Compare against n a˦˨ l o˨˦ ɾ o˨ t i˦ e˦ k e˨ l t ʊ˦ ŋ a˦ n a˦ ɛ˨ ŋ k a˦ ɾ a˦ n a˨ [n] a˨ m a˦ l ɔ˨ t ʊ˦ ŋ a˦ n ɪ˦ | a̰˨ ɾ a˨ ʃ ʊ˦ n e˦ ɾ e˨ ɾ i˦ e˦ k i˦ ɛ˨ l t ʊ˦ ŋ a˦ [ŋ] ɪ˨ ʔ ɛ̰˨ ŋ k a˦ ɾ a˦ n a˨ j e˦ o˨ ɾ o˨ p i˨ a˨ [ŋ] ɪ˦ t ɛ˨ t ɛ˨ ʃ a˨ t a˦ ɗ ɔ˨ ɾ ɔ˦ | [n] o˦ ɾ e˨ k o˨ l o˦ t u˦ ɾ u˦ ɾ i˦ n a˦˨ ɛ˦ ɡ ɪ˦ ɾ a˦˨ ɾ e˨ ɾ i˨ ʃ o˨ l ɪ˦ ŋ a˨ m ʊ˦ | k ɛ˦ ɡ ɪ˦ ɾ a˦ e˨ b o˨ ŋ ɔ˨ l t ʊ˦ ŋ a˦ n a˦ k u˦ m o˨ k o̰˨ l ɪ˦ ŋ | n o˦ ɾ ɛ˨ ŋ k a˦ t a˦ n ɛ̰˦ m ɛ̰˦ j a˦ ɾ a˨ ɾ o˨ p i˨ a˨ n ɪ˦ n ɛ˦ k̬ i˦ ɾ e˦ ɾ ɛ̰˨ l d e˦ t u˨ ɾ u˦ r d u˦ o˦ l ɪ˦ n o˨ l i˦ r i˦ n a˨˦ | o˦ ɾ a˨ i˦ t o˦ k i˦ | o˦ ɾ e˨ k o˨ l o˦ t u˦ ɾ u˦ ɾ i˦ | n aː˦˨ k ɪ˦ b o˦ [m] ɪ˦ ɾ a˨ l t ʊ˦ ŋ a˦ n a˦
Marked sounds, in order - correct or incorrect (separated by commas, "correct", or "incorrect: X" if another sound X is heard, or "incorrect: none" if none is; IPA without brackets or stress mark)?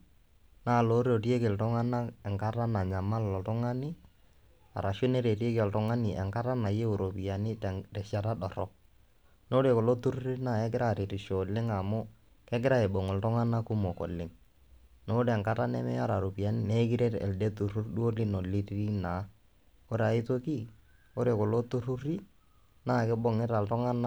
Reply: incorrect: ɲ, incorrect: n, incorrect: n, correct, incorrect: ŋ